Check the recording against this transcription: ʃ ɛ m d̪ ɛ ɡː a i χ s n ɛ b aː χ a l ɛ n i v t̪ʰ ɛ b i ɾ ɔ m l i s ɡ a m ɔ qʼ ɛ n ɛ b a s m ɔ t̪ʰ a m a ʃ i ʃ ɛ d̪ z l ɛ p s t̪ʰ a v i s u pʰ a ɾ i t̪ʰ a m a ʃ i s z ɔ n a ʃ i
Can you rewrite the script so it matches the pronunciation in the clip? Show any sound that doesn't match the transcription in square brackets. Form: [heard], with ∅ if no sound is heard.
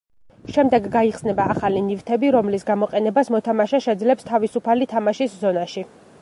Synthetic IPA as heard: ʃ ɛ m d̪ ɛ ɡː a i χ s n ɛ b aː χ a l [i] n i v t̪ʰ ɛ b i ɾ ɔ m l i s ɡ a m ɔ qʼ ɛ n ɛ b a s m ɔ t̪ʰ a m a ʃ [a] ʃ ɛ d̪ z l ɛ p s t̪ʰ a v i s u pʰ a [l] i t̪ʰ a m a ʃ i s z ɔ n a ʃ i

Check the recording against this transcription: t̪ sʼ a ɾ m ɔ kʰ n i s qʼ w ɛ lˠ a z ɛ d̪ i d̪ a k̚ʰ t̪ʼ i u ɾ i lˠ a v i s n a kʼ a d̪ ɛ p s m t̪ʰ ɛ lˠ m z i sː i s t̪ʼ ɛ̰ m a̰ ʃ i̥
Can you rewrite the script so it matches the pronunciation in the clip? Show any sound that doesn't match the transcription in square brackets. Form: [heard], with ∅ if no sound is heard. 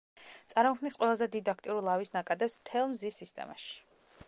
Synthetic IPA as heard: t̪ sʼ a ɾ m ɔ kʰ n i s qʼ w ɛ lˠ a z ɛ d̪ i d̪ a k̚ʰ t̪ʼ i u ɾ i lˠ a v i s n a kʼ a d̪ ɛ p s m t̪ʰ ɛ lˠ m z i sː i s t̪ʼ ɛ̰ m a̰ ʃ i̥

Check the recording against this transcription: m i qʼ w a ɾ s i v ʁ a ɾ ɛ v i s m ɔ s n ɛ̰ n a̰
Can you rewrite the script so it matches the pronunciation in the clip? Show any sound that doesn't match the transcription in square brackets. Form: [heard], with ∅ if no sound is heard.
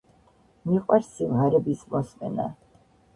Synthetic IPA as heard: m i qʼ w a ɾ s i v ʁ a ɾ ɛ [b] i s m ɔ s [m] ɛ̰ n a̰

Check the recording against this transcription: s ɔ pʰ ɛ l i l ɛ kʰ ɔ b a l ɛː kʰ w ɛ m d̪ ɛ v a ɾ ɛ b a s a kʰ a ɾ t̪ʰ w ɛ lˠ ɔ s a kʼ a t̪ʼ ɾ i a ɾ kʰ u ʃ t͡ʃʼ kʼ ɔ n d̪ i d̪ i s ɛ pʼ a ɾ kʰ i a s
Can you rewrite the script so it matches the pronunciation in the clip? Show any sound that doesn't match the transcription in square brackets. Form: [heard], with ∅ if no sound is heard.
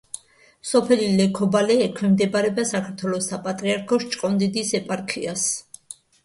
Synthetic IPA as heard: s ɔ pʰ ɛ l i l ɛ kʰ ɔ b a l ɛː kʰ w ɛ m d̪ ɛ [b] a ɾ ɛ b a s a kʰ a ɾ t̪ʰ w ɛ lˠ ɔ s a [pʼ] a t̪ʼ ɾ i a ɾ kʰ [ɔ] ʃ t͡ʃʼ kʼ ɔ n d̪ i d̪ i s ɛ pʼ a ɾ kʰ i a s

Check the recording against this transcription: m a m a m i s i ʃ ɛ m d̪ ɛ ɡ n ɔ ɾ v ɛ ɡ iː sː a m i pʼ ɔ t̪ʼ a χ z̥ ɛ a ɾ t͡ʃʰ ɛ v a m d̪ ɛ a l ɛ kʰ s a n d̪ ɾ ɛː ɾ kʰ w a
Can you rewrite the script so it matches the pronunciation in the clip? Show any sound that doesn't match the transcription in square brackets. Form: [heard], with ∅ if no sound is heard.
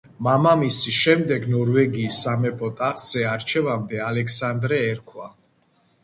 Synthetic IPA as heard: m a m a m i s i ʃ ɛ m d̪ ɛ ɡ n ɔ ɾ v ɛ ɡ iː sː a m [ɛ] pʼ ɔ t̪ʼ a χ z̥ ɛ a ɾ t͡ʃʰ ɛ v a m d̪ ɛ a l ɛ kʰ s a n d̪ ɾ ɛː ɾ kʰ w a

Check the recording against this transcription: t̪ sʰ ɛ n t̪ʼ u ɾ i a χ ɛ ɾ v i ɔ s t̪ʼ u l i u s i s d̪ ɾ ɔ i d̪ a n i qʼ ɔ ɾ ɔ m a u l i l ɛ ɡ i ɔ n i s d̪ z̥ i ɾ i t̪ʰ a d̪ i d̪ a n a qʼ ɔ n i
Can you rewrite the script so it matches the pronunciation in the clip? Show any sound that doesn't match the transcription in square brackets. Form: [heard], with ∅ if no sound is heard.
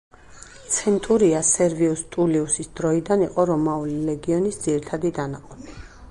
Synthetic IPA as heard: t̪ sʰ ɛ n t̪ʼ u ɾ i a [s] ɛ ɾ v i [u] s t̪ʼ u l i u s i s d̪ ɾ ɔ i d̪ a n i qʼ ɔ ɾ ɔ m a u l i l ɛ ɡ i ɔ n i s d̪ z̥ i ɾ i t̪ʰ a d̪ i d̪ a n a qʼ ɔ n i

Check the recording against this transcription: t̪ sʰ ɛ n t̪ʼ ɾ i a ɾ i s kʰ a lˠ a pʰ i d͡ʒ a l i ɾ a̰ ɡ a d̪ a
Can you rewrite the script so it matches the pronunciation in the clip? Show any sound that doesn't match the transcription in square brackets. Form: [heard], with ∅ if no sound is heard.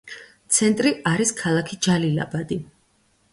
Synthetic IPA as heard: t̪ sʰ ɛ n t̪ʼ ɾ i a ɾ i s kʰ a lˠ a [kʰ] i d͡ʒ a l i [l] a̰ [b] a d̪ [i]

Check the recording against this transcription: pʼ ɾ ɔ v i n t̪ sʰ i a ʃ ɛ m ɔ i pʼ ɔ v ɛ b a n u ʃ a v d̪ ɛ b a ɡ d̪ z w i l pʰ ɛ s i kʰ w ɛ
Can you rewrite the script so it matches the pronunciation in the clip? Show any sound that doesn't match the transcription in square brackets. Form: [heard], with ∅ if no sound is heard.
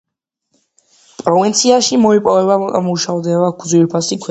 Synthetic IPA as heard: pʼ ɾ ɔ v i n t̪ sʰ i a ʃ [i] m ɔ i pʼ ɔ v ɛ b a [m] u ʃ a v d̪ ɛ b a ɡ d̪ z w i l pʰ [a] s i kʰ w ɛ

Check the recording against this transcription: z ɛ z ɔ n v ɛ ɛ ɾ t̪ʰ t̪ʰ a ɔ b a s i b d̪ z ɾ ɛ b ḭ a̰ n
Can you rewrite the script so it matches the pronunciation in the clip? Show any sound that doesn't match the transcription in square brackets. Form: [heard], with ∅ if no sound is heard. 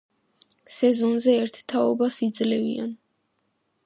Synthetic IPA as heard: [s] ɛ z ɔ n [z] ɛ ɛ ɾ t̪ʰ t̪ʰ a ɔ b a s i [∅] d̪ z [l] ɛ [v] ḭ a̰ n

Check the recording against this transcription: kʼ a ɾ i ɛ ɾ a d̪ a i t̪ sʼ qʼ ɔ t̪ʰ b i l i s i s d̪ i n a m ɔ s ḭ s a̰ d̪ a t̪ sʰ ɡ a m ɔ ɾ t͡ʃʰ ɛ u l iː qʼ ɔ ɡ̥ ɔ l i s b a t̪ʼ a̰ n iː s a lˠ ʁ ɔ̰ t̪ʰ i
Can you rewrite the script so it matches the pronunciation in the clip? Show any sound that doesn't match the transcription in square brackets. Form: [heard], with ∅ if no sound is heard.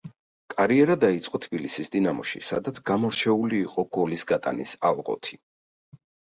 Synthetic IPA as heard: kʼ a ɾ i ɛ ɾ a d̪ a i t̪ sʼ qʼ ɔ t̪ʰ b i l i s i s d̪ i n a m ɔ [ʃ] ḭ s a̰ d̪ a t̪ sʰ ɡ a m ɔ ɾ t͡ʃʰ ɛ u l iː qʼ ɔ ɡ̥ ɔ l i s [ɡ] a t̪ʼ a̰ n [i] s a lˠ ʁ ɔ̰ t̪ʰ i

